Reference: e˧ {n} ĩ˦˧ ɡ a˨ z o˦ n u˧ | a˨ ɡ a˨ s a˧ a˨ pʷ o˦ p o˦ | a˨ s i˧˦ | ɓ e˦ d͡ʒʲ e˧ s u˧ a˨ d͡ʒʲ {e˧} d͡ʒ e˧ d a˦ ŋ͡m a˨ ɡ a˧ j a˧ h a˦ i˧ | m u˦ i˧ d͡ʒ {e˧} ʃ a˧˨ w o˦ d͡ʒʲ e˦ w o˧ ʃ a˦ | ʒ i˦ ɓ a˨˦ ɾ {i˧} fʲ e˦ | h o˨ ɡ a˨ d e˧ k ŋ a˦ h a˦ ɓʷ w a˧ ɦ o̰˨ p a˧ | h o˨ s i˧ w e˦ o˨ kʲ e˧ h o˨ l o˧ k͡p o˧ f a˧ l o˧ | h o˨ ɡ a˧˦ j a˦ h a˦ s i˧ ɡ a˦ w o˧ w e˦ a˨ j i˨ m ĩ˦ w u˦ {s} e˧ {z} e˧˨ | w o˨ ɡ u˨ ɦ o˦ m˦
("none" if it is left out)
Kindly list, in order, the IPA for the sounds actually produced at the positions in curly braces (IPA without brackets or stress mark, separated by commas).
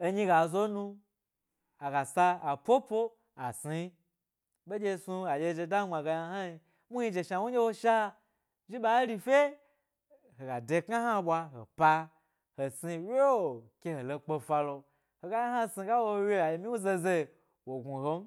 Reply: ɲ, e˧, e˧, i˧, z, z